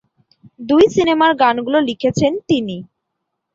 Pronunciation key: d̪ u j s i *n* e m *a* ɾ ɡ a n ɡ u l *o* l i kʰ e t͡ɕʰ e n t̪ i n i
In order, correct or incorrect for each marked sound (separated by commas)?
correct, correct, correct